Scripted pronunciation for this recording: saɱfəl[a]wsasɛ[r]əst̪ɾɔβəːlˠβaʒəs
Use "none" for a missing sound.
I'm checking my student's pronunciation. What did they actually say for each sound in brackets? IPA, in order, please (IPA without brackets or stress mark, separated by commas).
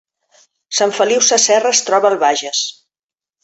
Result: i, r